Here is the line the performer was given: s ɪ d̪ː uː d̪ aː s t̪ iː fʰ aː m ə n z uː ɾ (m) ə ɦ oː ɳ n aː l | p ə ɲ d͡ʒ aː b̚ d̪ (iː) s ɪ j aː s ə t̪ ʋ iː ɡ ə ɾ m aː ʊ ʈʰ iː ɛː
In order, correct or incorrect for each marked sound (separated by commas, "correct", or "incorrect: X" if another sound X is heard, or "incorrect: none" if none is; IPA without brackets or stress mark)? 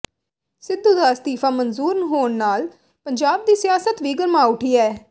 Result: incorrect: n, correct